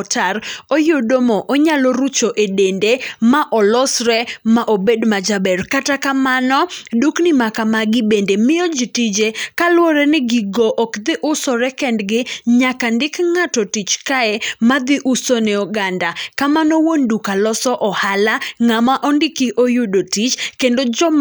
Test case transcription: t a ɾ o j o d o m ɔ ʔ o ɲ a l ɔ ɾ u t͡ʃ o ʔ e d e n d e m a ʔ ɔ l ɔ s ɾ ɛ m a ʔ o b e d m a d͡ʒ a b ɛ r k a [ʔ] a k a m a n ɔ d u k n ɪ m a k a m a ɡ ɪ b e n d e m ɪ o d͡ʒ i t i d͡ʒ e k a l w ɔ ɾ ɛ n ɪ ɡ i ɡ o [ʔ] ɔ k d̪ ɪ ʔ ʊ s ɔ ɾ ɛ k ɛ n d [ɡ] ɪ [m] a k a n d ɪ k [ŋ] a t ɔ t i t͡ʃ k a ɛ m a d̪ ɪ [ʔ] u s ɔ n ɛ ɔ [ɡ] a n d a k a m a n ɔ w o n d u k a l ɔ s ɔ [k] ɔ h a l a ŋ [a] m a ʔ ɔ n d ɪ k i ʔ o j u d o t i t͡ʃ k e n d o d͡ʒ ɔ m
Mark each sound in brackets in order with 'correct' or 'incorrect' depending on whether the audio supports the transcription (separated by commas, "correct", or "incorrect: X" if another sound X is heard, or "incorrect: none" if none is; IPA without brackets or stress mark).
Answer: incorrect: t, correct, correct, incorrect: ɲ, correct, correct, correct, incorrect: ʔ, correct